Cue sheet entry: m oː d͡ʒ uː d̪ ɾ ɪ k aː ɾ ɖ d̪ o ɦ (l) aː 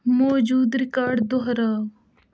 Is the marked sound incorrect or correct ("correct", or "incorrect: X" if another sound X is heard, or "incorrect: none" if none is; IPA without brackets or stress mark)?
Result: incorrect: ɾ